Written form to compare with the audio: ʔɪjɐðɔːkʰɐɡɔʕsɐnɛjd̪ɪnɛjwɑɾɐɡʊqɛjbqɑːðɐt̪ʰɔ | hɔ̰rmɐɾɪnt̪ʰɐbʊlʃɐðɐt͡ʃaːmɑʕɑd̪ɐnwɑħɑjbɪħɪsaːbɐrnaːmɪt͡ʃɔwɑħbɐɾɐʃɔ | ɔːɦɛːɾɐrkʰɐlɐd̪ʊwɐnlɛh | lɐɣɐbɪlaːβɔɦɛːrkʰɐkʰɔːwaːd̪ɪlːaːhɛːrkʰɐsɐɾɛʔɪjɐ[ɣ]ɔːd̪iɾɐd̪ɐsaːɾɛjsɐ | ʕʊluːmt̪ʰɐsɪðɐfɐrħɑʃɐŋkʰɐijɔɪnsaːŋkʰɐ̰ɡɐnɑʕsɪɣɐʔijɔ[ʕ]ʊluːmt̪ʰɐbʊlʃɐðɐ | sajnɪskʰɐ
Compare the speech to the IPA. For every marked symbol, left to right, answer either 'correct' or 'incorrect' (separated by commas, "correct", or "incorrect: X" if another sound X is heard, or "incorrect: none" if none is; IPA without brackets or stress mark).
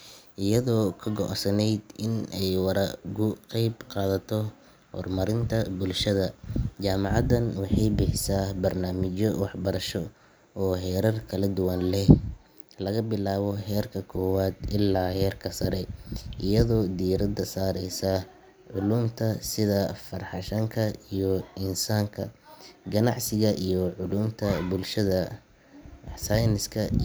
incorrect: ð, correct